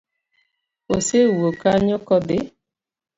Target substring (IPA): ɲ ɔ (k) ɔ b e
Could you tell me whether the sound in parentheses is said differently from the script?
no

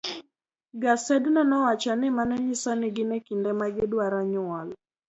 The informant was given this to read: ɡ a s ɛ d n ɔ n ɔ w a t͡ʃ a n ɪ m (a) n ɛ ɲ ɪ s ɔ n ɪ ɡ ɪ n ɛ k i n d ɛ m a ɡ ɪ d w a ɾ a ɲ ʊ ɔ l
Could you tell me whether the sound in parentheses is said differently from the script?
no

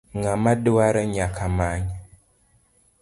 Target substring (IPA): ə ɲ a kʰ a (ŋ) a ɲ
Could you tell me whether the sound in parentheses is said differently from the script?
yes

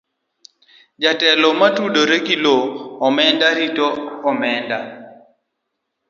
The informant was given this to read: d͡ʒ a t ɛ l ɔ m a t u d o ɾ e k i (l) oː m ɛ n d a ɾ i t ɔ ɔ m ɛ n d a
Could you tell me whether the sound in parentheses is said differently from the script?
no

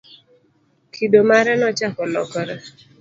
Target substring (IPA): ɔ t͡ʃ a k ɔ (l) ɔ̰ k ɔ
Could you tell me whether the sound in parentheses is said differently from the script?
no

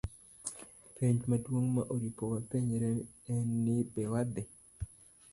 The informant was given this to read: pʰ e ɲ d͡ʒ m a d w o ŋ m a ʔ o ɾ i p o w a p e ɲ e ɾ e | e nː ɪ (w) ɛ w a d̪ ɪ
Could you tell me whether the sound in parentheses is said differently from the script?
yes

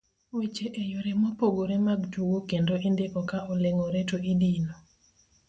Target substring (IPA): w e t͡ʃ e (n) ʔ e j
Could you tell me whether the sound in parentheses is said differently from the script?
yes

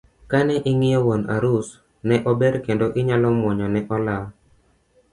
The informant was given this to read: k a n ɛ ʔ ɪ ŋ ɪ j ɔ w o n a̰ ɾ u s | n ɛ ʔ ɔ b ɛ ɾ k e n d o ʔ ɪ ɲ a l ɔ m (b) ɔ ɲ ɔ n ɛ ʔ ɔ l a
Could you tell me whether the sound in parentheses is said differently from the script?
yes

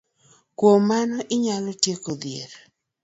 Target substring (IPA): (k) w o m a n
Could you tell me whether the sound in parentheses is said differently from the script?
no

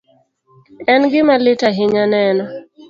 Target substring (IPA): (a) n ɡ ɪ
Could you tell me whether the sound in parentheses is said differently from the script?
yes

